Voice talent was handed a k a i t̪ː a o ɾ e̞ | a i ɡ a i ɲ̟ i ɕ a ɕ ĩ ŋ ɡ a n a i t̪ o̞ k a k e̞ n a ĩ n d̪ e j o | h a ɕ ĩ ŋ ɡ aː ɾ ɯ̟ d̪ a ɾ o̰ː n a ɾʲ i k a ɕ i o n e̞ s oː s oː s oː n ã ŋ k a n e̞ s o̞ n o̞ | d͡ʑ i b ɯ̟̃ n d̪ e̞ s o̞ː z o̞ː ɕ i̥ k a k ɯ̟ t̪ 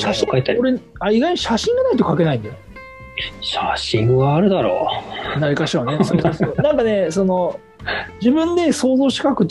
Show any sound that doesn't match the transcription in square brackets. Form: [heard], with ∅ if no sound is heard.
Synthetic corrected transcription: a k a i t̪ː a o ɾ e̞ | a i ɡ a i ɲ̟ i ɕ a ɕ ĩ ŋ ɡ a n a i t̪ o̞ k a k e̞ n a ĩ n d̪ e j o | [ɕ] a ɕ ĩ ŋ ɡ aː ɾ ɯ̟ d̪ a ɾ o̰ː n a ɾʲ i k a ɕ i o n e̞ s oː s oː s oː n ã ŋ k a n e̞ s o̞ n o̞ | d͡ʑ i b ɯ̟̃ n d̪ e̞ s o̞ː z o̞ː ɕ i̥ k a k ɯ̟ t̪